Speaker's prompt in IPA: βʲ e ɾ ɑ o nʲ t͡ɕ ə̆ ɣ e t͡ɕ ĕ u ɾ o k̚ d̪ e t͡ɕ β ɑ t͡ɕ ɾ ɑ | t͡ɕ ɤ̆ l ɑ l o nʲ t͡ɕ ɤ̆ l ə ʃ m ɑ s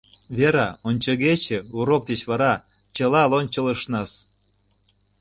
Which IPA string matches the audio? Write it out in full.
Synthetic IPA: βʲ e ɾ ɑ o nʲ t͡ɕ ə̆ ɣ e t͡ɕ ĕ u ɾ o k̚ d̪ e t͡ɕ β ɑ ɾ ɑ | t͡ɕ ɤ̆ l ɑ l o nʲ t͡ɕ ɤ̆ l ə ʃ n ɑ s

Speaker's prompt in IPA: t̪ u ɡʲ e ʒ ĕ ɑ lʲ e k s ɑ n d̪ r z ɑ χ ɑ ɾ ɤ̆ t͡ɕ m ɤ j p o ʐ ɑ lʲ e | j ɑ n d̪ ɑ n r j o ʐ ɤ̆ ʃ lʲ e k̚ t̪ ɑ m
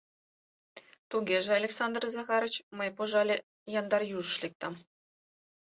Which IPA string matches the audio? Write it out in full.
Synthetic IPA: t̪ u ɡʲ e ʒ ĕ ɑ lʲ e k s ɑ n d̪ r z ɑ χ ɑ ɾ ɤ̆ t͡ɕ m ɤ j p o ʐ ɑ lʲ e | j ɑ n d̪ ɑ r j u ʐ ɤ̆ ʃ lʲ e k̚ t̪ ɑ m

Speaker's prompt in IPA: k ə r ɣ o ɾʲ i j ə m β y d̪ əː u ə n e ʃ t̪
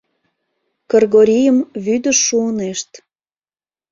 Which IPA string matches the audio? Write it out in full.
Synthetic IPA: k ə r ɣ o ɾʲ i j ə m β y d̪ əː u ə n e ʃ t̪

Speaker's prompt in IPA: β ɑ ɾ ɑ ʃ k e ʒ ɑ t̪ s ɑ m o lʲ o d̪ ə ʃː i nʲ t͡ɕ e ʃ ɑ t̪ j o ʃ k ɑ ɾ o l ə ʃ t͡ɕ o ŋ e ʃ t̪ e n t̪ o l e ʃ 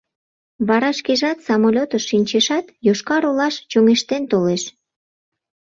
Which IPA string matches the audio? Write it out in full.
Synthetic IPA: β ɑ ɾ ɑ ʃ k e ʒ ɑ t̪ s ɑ m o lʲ o t̪ ə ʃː i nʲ t͡ɕ e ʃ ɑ t̪ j o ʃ k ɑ ɾ o l ɑ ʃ t͡ɕ o ŋ e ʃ t̪ e n t̪ o l e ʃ

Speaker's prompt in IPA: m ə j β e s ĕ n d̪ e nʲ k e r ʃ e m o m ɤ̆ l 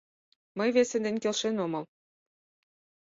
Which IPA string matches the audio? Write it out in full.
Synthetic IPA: m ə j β e s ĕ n d̪ e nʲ k e l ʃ e n o m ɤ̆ l

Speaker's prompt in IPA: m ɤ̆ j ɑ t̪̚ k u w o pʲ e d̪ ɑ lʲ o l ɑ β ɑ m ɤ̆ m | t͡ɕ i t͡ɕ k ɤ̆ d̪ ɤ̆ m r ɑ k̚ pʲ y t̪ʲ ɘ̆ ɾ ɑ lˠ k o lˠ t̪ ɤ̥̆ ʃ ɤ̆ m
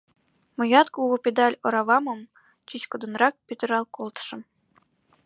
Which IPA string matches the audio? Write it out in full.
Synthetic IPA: m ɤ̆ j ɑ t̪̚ k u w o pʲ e d̪ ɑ lʲ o ɾ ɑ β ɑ m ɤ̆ m | t͡ɕ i t͡ɕ k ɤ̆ d̪ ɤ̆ n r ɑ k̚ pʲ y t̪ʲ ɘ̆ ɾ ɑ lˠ k o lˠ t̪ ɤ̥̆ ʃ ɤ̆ m

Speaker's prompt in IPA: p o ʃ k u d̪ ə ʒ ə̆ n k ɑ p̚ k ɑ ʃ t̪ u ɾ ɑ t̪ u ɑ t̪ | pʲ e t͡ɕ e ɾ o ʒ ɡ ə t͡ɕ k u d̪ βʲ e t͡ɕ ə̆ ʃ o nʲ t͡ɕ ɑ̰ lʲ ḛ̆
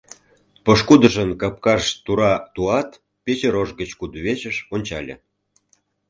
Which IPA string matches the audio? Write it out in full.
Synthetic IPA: p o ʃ k u d̪ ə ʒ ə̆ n k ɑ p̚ k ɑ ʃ t̪ u ɾ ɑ t̪ u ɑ t̪ | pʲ e t͡ɕ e ɾ o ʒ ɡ ə t͡ɕ k u d̪ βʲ e t͡ɕ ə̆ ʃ o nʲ t͡ɕ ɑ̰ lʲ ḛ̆

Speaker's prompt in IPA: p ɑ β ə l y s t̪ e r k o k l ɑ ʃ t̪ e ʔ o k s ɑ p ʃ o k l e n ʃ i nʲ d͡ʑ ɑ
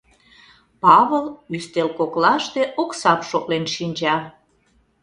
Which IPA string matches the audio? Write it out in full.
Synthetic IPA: p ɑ β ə l y s t̪ e l k o k l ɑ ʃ t̪ e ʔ o k s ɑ p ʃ o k l e n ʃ i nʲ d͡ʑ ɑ

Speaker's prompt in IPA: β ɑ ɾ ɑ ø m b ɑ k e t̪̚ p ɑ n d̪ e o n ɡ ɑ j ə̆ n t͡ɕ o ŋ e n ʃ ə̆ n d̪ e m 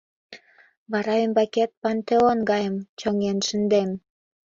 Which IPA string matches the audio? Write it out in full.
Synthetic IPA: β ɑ ɾ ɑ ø m b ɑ k e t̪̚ p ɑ n t̪ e o n ɡ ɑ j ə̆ m t͡ɕ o ŋ e n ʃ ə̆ n d̪ e m

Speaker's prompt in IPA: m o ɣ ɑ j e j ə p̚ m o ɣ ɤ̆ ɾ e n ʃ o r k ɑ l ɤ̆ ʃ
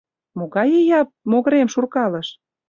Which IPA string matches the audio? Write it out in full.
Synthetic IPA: m o ɣ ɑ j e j ɑ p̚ m o ɣ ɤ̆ ɾ e m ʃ u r k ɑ l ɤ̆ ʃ

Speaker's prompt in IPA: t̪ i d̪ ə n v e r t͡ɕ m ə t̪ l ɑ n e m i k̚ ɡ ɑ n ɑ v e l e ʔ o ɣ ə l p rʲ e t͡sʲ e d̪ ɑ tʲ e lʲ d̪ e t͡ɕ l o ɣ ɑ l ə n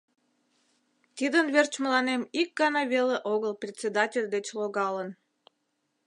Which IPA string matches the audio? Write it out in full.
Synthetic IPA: t̪ i d̪ ə n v e r t͡ɕ m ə l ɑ n e m i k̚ ɡ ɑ n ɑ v e l e ʔ o ɣ ə l p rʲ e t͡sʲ e d̪ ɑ tʲ e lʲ d̪ e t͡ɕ l o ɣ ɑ l ə n

